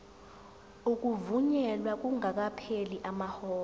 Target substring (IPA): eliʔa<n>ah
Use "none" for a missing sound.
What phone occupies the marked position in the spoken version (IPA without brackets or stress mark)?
m